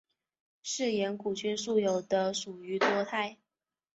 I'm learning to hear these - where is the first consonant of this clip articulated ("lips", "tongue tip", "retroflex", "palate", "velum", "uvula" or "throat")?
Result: retroflex